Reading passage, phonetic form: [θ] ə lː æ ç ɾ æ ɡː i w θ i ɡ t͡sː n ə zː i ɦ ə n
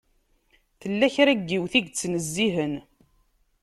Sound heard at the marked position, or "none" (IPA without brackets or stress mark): θ